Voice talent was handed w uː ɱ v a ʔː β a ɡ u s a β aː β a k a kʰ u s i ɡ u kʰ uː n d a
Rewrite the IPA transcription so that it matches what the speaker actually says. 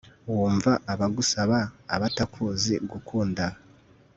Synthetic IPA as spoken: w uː ɱ v a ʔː β a ɡ u s a β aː β a t a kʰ u z i ɡ u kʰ uː n d a

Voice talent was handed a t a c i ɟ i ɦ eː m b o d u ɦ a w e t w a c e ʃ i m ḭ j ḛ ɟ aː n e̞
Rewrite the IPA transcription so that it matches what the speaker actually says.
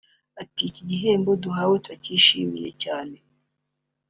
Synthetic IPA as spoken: a t i c i ɟ i ɦ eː m b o d u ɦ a w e t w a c i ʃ i m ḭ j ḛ c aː n e̞

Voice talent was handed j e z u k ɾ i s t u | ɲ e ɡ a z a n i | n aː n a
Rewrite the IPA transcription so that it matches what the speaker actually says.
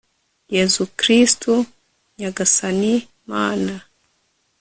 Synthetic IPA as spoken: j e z u k ɾ i s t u | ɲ a ɡ a s a n i | m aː n a

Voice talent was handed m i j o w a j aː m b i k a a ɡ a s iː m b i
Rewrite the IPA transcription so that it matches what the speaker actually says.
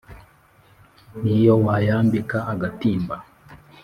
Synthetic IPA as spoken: n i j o w a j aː m b i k a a ɡ a t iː m b a

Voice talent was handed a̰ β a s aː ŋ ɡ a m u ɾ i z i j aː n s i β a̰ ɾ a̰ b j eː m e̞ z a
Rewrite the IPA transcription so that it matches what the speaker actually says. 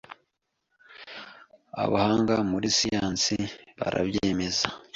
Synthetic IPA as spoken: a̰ β a h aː ŋ ɡ a m u ɾ i s i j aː n s i β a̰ ɾ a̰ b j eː m e̞ z a

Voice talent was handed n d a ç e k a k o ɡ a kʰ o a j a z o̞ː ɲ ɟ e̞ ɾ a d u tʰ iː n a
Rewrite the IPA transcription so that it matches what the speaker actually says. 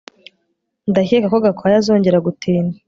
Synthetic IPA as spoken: n d a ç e k a k o ɡ a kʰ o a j a z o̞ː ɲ ɟ e̞ ɾ a ɡ u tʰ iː n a

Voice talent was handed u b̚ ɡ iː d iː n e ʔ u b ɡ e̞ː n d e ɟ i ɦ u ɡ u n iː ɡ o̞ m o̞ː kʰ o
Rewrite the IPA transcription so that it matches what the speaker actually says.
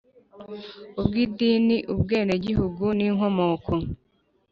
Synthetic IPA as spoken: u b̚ ɡ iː d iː n i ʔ u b ɡ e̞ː n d e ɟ i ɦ u ɡ u n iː ŋ o̞ m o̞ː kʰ o

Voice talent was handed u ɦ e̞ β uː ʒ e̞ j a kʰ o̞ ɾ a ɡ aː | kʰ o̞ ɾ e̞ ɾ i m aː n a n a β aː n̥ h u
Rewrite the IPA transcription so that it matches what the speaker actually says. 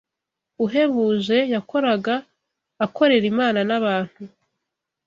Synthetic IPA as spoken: u ɦ e̞ β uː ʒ e̞ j a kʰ o̞ ɾ a ɡ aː | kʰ o̞ ɾ e̞ ɾ i m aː n a n a β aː n̥ h u

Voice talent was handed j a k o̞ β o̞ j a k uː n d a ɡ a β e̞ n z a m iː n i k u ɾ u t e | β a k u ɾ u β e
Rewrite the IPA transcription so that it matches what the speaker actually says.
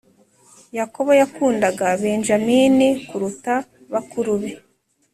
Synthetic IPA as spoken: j a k o̞ β o̞ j a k uː n d a ɡ a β e̞ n ʒ a m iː n i k u ɾ u t a | β a k u ɾ u β e

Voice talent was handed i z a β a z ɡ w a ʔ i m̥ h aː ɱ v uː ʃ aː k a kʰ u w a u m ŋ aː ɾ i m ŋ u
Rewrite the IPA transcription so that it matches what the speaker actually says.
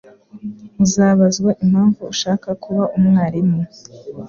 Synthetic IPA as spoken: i z a β a z ɡ w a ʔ i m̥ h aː ɱ v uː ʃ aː k a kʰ u β a u m ŋ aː ɾ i m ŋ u

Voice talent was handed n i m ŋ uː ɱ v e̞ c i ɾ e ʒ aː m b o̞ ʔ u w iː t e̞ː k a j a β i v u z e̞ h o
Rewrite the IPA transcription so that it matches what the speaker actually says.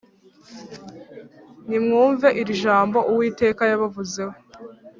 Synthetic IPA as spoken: n i m ŋ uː ɱ v e̞ ʔ i ɾ i ʒ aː m b o̞ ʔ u w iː t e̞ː k a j a β a v u z e̞ h o

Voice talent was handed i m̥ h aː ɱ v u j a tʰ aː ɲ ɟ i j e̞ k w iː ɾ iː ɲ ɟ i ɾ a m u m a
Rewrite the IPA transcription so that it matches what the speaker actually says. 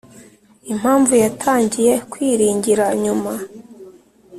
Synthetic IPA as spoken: i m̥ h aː ɱ v u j a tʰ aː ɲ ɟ i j e̞ k w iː ɾ iː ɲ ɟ i ɾ a ɲ u m a

